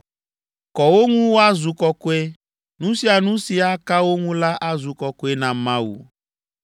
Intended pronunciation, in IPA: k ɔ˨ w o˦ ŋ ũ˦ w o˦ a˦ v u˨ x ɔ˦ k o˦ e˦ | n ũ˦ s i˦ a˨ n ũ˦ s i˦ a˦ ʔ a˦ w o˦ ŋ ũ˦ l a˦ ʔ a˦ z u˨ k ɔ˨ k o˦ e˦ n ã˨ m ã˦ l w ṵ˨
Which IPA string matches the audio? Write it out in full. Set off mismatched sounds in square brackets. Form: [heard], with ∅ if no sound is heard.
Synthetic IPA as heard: k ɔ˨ w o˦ ŋ ũ˦ w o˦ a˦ [z] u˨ [k] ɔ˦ k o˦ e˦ | n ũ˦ s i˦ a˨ n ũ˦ s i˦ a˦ [k] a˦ w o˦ ŋ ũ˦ l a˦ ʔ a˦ z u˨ k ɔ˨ k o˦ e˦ n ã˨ m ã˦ [∅] w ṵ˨